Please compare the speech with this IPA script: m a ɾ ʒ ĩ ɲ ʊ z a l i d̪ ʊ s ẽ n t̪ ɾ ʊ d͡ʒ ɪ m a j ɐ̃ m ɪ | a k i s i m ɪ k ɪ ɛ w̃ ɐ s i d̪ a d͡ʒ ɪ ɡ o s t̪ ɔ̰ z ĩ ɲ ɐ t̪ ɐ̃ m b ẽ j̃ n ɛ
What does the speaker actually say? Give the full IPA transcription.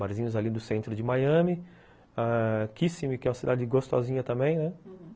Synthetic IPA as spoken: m a ɾ z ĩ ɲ ʊ z a l i d̪ ʊ s ẽ n t̪ ɾ ʊ d͡ʒ ɪ m a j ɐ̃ m ɪ | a k i s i m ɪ k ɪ ɛ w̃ ɐ s i d̪ a d͡ʒ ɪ ɡ o s t̪ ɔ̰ z ĩ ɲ ɐ t̪ ɐ̃ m b ẽ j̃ n ɛ